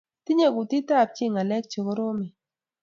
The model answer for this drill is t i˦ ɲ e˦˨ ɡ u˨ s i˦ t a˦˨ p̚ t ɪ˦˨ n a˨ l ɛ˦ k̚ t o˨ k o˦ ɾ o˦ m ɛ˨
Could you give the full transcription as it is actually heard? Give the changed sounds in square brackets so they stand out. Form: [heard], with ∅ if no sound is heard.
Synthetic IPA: t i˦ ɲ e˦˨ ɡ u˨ [t] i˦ t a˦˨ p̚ [t͡ʃ] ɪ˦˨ [ŋ] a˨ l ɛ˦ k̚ [t͡ʃ] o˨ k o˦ ɾ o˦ m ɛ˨